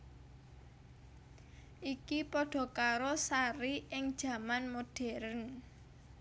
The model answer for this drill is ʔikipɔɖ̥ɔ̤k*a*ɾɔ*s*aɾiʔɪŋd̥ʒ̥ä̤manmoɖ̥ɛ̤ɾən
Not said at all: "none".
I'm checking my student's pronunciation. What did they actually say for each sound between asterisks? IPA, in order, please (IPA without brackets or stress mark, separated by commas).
a, s